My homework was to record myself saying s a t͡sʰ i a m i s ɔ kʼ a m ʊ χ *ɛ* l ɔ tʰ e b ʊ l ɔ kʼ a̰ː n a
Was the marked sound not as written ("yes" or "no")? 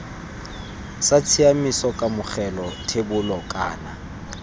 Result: no